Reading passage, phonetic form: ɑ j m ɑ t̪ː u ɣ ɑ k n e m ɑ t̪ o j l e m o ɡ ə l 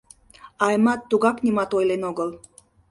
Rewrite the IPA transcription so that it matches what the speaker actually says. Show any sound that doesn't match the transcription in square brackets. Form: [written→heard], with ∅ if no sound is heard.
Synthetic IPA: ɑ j m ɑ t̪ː u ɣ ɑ k n [e→i] m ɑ t̪ o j l e [m→n] o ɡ ə l